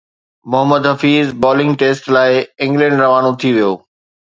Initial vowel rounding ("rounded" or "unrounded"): rounded